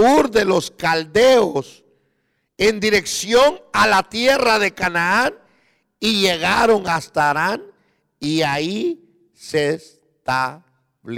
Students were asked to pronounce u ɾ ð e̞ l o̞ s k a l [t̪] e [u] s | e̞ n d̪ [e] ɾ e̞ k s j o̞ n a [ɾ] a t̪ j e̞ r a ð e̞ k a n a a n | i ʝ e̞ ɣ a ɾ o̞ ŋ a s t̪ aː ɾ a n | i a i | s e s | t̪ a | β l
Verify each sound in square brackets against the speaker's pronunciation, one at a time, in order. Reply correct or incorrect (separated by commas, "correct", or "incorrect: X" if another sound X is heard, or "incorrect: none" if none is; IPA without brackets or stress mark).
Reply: incorrect: d̪, incorrect: o, incorrect: i, incorrect: l